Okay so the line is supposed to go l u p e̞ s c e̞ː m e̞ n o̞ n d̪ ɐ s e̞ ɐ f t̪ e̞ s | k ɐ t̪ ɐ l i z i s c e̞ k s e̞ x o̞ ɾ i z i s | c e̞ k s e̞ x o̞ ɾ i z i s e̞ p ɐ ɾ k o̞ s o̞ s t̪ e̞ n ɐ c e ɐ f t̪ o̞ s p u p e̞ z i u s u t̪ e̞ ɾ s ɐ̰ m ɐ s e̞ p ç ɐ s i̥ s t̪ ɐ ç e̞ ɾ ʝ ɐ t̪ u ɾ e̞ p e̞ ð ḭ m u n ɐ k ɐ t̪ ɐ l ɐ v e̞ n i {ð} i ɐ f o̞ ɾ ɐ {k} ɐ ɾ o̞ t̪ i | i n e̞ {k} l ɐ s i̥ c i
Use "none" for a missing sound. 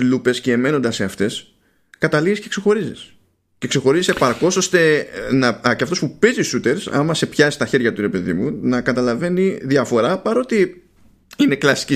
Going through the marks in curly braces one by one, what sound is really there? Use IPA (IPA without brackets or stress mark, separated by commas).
ð, p, k